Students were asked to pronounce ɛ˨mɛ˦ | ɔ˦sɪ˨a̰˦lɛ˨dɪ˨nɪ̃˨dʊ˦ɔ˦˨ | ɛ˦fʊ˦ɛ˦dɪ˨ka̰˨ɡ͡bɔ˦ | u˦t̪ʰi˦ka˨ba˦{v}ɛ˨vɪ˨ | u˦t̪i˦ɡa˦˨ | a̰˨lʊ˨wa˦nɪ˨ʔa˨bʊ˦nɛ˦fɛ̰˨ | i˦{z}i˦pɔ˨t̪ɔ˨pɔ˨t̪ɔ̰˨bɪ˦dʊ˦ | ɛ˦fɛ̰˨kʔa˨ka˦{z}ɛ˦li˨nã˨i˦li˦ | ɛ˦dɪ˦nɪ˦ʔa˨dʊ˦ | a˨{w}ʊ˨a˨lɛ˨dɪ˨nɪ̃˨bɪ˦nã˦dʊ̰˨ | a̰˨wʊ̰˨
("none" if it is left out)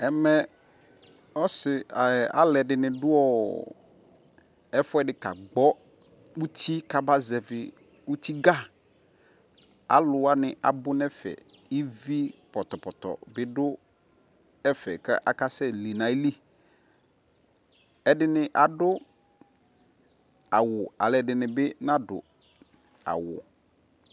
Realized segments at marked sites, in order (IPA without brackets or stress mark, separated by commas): z, v, s, w